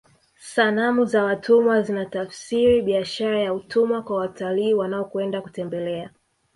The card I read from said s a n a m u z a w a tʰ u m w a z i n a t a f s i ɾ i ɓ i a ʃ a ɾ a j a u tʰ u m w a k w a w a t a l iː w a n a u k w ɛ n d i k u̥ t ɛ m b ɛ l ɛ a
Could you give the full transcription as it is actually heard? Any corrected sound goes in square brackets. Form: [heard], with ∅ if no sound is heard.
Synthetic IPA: s a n a m u z a w a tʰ u m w a z i n a t a f s i ɾ i ɓ i a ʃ a ɾ a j a u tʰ u m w a k w a w a t a l iː w a n a [ɔ] k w ɛ n d [a] k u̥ t ɛ m b ɛ l ɛ a